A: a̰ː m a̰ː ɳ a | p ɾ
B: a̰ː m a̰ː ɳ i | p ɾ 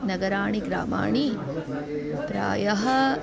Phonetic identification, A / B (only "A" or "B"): B